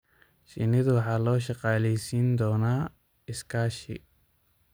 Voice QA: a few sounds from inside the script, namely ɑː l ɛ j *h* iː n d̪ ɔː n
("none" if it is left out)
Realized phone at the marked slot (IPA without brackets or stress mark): s